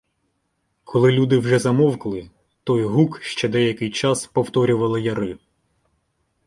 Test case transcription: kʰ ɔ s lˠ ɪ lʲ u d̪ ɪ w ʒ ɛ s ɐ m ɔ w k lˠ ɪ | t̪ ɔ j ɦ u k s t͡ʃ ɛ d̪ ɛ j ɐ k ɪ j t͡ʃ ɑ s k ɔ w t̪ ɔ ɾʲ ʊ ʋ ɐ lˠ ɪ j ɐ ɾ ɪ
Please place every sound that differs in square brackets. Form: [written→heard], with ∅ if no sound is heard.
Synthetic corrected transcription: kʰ ɔ [s→∅] lˠ ɪ lʲ u d̪ ɪ w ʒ ɛ [s→z] ɐ m ɔ w k lˠ ɪ | t̪ ɔ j ɦ u k [s→ʃ] t͡ʃ ɛ d̪ ɛ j ɐ k ɪ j t͡ʃ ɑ s [k→p] ɔ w t̪ ɔ ɾʲ ʊ ʋ ɐ lˠ ɪ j ɐ ɾ ɪ